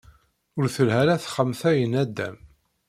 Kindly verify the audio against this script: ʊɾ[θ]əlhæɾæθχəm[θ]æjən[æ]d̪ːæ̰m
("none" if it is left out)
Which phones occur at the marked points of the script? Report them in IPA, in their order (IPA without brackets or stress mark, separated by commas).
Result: θ, θ, æ